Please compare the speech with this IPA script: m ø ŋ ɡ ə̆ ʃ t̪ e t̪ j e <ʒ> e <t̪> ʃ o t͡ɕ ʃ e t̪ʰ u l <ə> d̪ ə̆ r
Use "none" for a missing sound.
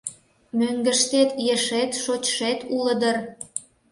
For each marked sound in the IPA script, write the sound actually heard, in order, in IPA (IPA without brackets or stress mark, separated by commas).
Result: ʃ, t̪, ə